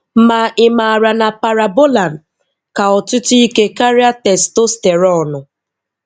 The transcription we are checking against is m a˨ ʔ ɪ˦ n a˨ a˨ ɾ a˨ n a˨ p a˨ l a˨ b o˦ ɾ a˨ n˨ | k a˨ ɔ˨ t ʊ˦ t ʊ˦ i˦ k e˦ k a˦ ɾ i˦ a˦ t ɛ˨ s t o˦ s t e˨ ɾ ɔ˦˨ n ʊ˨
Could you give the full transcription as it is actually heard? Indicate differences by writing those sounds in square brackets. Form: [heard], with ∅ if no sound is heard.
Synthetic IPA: m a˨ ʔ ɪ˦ [m] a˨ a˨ ɾ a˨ n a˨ p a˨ [ɾ] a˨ b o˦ [l] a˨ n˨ | k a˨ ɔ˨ t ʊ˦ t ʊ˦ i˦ k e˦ k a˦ ɾ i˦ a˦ t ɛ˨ s t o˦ s t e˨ ɾ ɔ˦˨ n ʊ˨